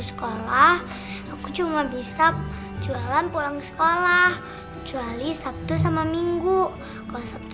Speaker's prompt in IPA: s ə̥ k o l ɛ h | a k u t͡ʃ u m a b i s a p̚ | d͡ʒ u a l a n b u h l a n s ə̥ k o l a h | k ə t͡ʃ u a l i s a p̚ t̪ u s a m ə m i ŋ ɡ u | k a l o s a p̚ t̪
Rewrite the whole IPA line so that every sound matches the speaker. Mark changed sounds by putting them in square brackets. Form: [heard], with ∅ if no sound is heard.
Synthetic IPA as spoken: s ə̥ k o l [a] h | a k u t͡ʃ u m a b i s a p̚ | d͡ʒ u a l a n [p] u [∅] l a [ŋ] s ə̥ k o l a h | k ə t͡ʃ u a l i s a p̚ t̪ u s a m [a] m i ŋ ɡ u | k a l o s a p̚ t̪

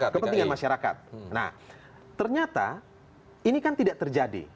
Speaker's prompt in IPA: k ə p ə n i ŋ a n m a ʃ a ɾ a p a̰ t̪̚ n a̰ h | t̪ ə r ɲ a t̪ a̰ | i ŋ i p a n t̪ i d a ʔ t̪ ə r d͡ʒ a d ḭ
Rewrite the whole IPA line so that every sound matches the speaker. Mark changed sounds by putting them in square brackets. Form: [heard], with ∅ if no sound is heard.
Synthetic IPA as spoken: k ə p ə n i ŋ a n m a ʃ a ɾ a [k] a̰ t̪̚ n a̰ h | t̪ ə r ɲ a t̪ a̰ | i [n] i [k] a n t̪ i d a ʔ t̪ ə r d͡ʒ a d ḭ

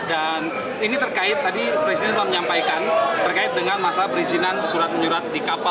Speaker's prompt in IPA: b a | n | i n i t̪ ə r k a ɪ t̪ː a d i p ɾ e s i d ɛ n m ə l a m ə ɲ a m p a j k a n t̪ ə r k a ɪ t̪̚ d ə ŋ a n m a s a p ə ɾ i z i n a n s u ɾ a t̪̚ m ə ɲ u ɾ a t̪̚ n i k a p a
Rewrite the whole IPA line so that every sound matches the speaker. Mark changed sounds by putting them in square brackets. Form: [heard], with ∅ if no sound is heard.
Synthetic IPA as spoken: [d] a | n | i n i t̪ ə r k a ɪ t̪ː a d i p ɾ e s i d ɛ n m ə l a m ə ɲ a m p a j k a n t̪ ə r k a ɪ t̪̚ d ə ŋ a n m a s a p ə ɾ i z i n a n s u ɾ a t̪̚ m ə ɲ u ɾ a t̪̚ [d] i k a p a

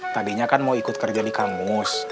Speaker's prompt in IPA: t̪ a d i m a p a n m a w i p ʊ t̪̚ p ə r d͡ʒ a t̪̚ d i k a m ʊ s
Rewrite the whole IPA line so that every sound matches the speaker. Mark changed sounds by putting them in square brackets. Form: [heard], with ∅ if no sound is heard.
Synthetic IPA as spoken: t̪ a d i [ɲ] a [k] a n m a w i [k] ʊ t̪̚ [k] ə r d͡ʒ a [∅] d i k a m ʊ s

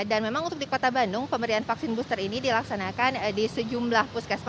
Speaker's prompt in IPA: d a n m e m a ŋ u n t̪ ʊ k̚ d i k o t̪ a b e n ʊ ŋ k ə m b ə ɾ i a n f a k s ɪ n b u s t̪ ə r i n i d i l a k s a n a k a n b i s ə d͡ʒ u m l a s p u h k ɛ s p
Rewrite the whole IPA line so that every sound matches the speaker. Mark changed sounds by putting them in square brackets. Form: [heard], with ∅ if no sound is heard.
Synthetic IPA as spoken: d a n m e m a ŋ u n t̪ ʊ k̚ d i k o t̪ a b [a] n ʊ ŋ [p] ə m b ə ɾ i a n f a k s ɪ n b u s t̪ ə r i n i d i l a k s a n a k a n [d] i s ə d͡ʒ u m l a [h] p u [s] k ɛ s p

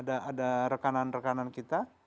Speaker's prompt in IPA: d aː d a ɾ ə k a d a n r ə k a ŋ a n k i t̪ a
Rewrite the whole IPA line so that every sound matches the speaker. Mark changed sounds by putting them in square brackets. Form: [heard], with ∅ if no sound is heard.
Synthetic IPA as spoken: d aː d a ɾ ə k a [n] a n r ə k a [n] a n k i t̪ a

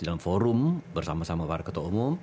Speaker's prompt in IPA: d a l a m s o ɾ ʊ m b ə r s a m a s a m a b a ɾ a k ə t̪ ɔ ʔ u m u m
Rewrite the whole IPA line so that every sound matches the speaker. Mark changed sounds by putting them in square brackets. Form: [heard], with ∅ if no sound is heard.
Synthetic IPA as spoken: d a l a m [f] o ɾ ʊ m b ə r s a m a s a m a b a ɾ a k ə t̪ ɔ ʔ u m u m

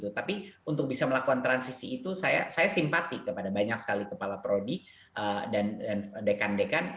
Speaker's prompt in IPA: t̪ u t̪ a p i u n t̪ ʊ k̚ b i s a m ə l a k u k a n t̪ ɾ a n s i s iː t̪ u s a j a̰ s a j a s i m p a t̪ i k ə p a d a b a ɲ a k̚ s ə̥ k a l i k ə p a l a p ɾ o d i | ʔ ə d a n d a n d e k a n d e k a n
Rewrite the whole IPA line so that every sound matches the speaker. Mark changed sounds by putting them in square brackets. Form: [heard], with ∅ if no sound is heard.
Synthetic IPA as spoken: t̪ u t̪ a p i u n t̪ ʊ k̚ b i s a m ə l a k u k a n t̪ ɾ a n s i s iː t̪ u s a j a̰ s a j a s i m p a t̪ i k ə p a d a b a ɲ a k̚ s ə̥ k a l i k ə p a l a p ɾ o d i | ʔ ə d a n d a n d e k a n d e k a n

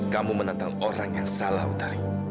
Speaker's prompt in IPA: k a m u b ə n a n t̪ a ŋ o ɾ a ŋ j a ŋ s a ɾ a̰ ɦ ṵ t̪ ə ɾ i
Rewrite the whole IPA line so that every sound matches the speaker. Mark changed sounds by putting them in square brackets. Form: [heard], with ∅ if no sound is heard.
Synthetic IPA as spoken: k a m u [m] ə n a n t̪ a ŋ o ɾ a ŋ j a ŋ s a [l] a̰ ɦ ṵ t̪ [a] ɾ i

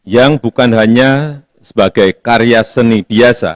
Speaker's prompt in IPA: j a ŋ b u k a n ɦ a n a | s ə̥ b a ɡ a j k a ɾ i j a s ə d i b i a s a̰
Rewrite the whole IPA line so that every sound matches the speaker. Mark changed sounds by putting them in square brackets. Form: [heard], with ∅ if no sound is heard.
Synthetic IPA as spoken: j a ŋ b u k a n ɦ a [ɲ] a | s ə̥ b a ɡ a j k a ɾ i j a s ə [n] i b i a s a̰

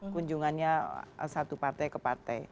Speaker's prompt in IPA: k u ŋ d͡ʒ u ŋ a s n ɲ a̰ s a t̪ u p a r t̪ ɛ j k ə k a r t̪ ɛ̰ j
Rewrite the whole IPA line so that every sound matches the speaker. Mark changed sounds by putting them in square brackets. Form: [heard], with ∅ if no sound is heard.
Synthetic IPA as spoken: k u [ɲ] d͡ʒ u ŋ a [∅] n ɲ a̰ s a t̪ u p a r t̪ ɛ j k ə [p] a r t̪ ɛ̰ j

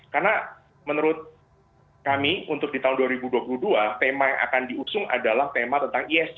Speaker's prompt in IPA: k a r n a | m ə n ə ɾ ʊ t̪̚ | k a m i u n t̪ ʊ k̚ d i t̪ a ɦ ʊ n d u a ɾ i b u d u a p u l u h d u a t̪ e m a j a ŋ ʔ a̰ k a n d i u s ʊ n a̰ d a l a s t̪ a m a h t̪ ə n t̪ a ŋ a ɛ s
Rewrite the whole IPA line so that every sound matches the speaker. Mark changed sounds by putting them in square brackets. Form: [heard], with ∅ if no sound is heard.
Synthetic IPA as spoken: k a r n a | m ə n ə ɾ ʊ t̪̚ | k a m i u n t̪ ʊ k̚ d i t̪ a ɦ ʊ n d u a ɾ i b u d u a p u l u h d u a t̪ e m a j a ŋ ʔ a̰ k a n d i u s ʊ [ŋ] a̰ d a l a [h] t̪ [e] m a [∅] t̪ ə n t̪ a ŋ [i] ɛ s

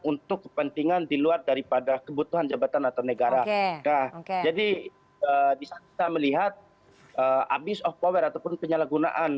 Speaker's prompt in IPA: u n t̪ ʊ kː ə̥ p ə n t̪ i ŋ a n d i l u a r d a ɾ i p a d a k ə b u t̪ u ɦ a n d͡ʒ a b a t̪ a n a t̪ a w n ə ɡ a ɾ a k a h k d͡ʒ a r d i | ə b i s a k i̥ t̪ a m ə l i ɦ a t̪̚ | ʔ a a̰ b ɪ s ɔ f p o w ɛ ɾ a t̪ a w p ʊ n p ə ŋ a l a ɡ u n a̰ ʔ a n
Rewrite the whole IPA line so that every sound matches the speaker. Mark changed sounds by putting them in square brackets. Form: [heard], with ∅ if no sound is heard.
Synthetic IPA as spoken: u n t̪ ʊ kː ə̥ p ə n t̪ i ŋ a n d i l u a r d a ɾ i p a d a k ə b u t̪ u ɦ a n d͡ʒ a b a t̪ a n a t̪ a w n ə ɡ a ɾ a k a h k d͡ʒ a [∅] d i | ə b i s a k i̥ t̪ a m ə l i ɦ a t̪̚ | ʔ [ə] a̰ b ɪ s ɔ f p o w ɛ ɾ a t̪ a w p ʊ n p ə [ɲ] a l a ɡ u n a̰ ʔ a n

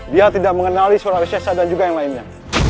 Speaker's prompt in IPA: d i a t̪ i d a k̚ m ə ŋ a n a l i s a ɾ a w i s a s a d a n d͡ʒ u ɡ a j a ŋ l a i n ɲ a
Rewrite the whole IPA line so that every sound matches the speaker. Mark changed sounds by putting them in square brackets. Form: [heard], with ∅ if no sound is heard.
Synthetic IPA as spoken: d i a t̪ i d a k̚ m ə ŋ [ə] n a l i s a ɾ a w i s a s a d a n d͡ʒ u ɡ a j a ŋ l a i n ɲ a

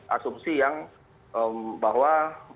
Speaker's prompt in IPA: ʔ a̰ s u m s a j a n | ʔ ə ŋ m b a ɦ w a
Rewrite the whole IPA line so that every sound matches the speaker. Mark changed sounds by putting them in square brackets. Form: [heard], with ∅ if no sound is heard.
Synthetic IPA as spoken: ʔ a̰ s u m s [i] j a [ŋ] | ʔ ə [∅] m b a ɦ w a

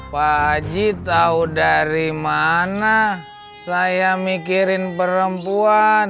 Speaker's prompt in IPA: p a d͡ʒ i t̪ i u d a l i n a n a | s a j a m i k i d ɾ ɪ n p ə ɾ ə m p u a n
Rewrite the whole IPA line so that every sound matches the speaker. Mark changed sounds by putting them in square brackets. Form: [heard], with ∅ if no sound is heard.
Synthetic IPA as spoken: p a d͡ʒ i t̪ [a] u d a [ɾ] i [m] a n a | s a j a m i k i [∅] ɾ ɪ n p ə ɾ ə m p u a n

